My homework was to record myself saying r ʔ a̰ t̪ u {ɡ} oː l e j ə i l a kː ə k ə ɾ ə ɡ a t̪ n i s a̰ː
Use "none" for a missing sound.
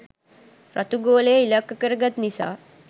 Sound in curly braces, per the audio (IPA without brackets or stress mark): ɡ